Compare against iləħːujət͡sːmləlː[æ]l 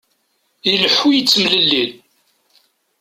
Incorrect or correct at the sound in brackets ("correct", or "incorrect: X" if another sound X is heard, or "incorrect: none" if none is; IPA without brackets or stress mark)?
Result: incorrect: i